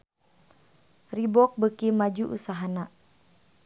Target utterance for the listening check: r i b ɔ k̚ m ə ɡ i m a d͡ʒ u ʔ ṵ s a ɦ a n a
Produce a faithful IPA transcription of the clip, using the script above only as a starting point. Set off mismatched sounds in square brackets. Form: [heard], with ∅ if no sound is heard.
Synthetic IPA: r i b ɔ k̚ [b] ə [k] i m a d͡ʒ u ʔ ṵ s a ɦ a n a